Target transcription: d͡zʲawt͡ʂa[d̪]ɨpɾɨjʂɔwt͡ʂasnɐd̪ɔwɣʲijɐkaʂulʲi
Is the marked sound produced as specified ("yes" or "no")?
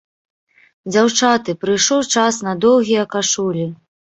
no